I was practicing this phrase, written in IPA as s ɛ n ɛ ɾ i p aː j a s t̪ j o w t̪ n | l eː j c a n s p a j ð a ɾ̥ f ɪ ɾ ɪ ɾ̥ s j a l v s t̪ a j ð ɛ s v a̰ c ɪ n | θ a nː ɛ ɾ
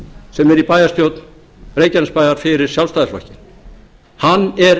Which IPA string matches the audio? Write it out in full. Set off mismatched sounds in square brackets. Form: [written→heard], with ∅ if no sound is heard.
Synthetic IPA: s ɛ [n→m] ɛ ɾ i p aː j a s t̪ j o w t̪ n | [l→r] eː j c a n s p a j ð a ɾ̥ f ɪ ɾ ɪ ɾ̥ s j a l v s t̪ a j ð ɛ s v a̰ c ɪ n | [θ→h] a nː ɛ ɾ